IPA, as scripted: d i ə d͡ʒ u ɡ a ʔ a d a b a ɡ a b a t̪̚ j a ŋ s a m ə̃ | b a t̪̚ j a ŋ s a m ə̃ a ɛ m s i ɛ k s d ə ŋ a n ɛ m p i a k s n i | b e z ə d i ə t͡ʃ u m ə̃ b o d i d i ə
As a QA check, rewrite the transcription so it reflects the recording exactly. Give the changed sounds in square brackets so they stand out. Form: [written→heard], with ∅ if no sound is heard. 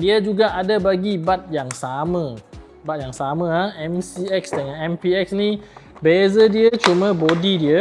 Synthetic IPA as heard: d i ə d͡ʒ u ɡ a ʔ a d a b a ɡ [a→i] b a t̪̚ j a ŋ s a m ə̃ | b a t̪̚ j a ŋ s a m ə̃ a ɛ m s i ɛ k s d ə ŋ a n ɛ m p i [a→ɛ] k s n i | b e z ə d i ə t͡ʃ u m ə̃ b o d i d i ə